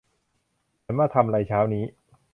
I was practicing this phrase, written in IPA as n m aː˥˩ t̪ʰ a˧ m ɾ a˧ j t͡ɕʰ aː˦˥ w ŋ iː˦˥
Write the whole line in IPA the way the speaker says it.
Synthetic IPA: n m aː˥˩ t̪ʰ a˧ m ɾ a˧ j t͡ɕʰ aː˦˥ w n iː˦˥